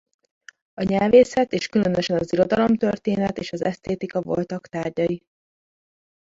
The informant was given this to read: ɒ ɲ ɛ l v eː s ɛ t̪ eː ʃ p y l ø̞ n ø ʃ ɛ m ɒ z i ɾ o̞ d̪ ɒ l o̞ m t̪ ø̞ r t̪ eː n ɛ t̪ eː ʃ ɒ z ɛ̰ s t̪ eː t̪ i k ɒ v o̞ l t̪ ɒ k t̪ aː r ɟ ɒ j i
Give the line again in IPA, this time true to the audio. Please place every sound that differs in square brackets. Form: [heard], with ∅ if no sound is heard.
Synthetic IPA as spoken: ɒ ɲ ɛ l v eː s ɛ t̪ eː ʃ [k] y l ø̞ n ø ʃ ɛ [n] ɒ z i ɾ o̞ d̪ ɒ l o̞ m t̪ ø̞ r t̪ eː n ɛ t̪ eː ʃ ɒ z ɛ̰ s t̪ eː t̪ i k ɒ v o̞ l t̪ ɒ k t̪ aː r ɟ ɒ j i